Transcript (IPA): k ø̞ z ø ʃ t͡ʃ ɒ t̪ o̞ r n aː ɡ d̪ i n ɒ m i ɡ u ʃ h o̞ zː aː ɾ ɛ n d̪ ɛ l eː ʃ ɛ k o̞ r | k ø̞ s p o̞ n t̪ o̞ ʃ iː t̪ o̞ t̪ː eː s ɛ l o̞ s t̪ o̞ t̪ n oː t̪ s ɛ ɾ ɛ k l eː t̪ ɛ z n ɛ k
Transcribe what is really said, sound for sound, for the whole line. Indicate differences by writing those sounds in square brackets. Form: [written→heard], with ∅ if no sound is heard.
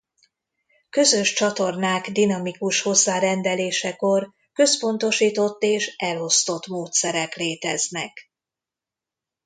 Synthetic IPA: k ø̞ z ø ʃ t͡ʃ ɒ t̪ o̞ r n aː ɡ d̪ i n ɒ m i [ɡ→k] u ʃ h o̞ zː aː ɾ ɛ n d̪ ɛ l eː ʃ ɛ k o̞ r | k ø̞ s p o̞ n t̪ o̞ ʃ iː t̪ o̞ t̪ː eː [s→ʃ] ɛ l o̞ s t̪ o̞ t̪ [n→m] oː t̪ s ɛ ɾ ɛ k l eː t̪ ɛ z n ɛ k